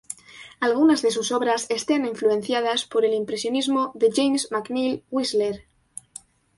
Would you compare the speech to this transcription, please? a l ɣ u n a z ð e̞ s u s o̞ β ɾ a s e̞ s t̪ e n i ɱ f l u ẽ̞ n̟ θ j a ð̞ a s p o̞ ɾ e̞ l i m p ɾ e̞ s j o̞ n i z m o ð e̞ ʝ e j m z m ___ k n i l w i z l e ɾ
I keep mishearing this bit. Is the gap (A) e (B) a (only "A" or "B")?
B